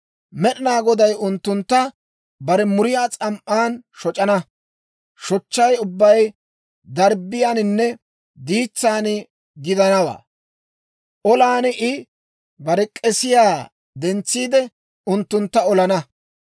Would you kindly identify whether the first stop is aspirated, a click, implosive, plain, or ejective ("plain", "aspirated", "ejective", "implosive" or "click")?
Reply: implosive